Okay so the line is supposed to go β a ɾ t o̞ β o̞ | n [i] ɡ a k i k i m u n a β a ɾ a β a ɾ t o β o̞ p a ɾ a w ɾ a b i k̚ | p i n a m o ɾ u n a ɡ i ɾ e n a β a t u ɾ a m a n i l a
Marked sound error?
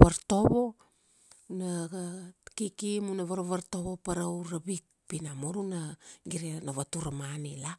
yes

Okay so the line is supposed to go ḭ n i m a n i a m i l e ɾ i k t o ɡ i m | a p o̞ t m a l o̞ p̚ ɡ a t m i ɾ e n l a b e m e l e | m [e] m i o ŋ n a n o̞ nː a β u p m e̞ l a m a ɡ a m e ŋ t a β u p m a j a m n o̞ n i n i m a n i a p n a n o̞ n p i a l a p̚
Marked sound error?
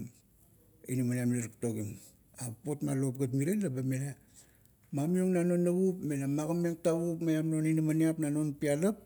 yes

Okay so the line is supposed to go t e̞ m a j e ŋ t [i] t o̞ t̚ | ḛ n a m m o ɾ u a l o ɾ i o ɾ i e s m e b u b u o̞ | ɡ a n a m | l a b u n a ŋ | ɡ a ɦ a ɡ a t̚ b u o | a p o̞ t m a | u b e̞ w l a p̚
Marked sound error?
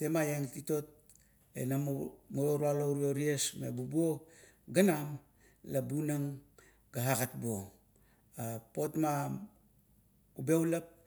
no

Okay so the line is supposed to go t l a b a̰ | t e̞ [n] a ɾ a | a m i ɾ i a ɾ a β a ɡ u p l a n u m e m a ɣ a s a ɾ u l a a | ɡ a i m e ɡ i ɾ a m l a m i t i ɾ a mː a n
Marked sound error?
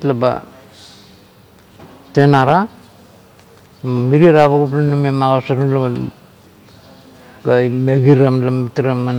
no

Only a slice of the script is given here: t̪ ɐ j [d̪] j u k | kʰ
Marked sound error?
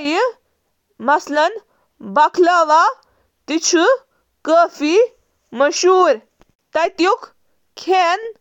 yes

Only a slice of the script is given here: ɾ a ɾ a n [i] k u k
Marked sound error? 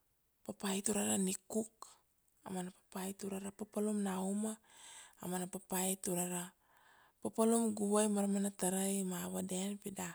no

